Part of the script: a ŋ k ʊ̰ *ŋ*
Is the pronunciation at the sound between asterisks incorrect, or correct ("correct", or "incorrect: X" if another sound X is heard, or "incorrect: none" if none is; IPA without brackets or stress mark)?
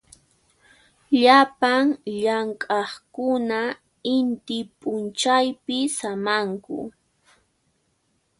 incorrect: none